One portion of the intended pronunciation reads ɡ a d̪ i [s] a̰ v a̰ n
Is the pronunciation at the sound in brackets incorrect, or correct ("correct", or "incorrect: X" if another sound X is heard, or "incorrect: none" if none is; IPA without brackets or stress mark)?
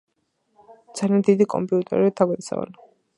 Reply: correct